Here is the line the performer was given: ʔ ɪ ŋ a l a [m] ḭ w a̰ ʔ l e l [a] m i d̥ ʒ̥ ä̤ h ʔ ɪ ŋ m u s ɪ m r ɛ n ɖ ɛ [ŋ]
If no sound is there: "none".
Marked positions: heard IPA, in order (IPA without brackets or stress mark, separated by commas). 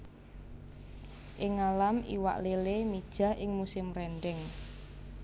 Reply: m, e, ŋ